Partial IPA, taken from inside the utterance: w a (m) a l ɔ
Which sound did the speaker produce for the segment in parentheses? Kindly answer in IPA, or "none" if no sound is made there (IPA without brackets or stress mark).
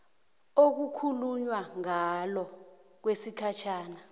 ŋ